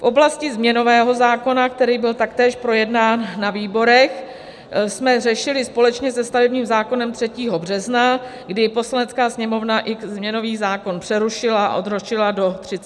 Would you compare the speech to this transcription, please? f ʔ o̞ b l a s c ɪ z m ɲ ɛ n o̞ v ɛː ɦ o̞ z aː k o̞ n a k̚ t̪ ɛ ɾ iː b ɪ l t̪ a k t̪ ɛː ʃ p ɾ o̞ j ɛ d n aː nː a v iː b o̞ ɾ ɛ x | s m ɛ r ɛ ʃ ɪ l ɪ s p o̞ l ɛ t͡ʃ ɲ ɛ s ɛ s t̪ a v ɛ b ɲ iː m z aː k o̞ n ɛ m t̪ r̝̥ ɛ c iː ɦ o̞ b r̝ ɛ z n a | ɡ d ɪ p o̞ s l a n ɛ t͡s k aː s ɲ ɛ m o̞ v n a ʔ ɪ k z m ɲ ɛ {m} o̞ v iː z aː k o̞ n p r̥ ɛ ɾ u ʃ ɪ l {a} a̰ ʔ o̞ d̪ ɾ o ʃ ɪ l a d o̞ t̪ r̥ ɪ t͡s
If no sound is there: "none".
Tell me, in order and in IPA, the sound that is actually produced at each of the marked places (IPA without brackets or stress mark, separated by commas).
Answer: n, a